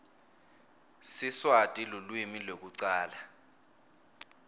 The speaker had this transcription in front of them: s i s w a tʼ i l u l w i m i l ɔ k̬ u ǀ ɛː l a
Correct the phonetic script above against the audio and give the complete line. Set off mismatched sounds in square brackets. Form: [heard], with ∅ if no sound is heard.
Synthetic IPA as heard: s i s w a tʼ i l u l w i m i l [o] k̬ u ǀ [aː] l a